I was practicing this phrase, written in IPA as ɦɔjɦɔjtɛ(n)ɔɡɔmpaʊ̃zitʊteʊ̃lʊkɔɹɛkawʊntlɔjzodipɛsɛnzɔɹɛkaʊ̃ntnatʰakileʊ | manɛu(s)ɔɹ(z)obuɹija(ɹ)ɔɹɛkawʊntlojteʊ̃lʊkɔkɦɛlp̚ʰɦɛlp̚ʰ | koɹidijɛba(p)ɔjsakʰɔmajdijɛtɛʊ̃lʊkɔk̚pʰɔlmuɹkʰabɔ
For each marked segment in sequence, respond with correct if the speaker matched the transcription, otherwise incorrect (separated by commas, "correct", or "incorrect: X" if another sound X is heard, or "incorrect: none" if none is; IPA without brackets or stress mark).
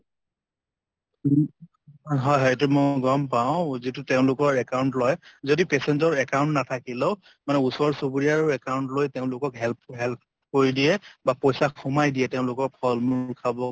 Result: incorrect: m, correct, incorrect: s, correct, correct